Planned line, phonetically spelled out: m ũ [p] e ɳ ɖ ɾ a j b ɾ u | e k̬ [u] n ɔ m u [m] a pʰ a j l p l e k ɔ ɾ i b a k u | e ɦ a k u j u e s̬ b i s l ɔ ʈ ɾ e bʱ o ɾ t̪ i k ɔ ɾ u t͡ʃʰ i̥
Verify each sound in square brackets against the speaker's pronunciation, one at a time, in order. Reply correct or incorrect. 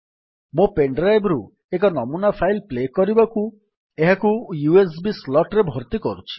correct, incorrect: ɔ, incorrect: n

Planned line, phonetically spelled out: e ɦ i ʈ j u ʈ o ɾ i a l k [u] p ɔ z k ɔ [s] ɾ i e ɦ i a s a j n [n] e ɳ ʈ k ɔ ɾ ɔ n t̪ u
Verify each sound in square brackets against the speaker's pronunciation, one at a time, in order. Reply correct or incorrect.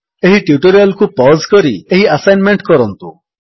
correct, incorrect: none, incorrect: m

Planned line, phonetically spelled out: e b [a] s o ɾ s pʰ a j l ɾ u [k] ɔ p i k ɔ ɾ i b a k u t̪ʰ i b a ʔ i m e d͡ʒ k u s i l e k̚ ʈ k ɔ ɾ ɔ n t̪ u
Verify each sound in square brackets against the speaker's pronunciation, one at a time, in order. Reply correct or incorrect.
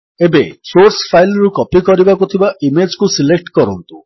incorrect: e, correct

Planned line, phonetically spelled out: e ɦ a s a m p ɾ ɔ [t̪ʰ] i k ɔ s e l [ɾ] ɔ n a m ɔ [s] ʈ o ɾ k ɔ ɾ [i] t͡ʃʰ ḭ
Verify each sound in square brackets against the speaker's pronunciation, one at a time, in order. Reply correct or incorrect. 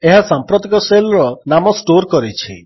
incorrect: t̪, correct, correct, correct

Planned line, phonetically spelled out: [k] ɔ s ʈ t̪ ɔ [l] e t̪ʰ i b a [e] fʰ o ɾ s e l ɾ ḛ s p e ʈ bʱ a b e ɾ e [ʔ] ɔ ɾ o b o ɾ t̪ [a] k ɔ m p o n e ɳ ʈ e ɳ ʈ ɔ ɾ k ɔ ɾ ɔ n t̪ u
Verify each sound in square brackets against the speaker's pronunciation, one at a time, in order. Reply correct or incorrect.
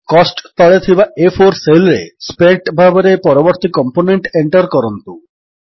correct, incorrect: ɭ, correct, incorrect: p, incorrect: i

